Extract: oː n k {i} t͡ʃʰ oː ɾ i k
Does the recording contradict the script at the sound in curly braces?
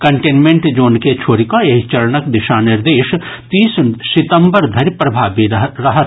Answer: yes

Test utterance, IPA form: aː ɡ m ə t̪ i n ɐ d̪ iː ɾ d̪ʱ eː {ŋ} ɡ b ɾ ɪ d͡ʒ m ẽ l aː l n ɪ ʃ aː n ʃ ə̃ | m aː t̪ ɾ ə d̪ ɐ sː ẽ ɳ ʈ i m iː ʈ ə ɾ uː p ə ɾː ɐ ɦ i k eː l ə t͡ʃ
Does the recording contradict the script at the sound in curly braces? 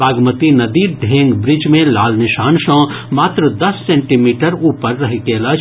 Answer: no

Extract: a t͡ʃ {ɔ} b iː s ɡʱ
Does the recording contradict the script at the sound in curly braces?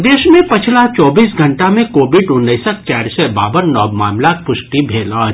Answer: yes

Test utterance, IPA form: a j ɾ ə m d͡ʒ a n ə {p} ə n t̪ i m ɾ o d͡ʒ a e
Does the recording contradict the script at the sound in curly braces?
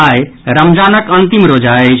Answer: yes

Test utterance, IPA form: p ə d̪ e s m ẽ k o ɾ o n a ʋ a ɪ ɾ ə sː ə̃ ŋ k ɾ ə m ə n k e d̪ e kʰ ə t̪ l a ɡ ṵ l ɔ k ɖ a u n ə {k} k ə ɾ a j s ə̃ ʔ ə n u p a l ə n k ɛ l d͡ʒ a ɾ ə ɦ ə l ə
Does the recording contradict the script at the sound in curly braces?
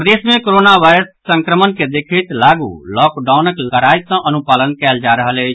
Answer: no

